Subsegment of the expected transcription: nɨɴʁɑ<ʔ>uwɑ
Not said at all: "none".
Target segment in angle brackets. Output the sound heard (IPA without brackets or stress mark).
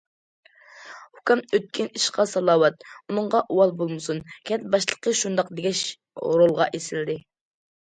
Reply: ʔ